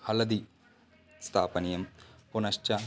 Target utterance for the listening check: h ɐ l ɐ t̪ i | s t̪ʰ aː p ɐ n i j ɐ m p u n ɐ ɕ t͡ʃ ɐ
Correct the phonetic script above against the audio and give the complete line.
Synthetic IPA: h ɐ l ɐ d̪ i | s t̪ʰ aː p ɐ n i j ɐ m p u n ɐ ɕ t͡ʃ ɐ